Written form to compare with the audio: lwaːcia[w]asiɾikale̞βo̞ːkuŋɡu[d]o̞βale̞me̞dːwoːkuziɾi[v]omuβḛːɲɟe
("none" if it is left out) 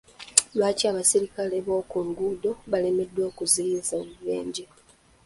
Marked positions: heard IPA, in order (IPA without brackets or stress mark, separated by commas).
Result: β, d, z